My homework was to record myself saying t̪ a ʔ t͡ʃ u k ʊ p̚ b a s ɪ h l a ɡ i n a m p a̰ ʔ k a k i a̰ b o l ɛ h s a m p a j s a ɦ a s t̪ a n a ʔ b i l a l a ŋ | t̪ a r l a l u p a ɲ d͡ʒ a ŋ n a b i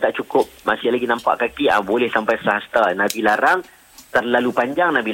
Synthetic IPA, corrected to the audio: t̪ a ʔ t͡ʃ u k ʊ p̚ m a s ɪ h l a ɡ i n a m p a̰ ʔ k a k i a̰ b o l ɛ h s a m p a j s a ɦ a s t̪ a n a b i l a ɾ a ŋ | t̪ ə r l a l u p a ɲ d͡ʒ a ŋ n a b i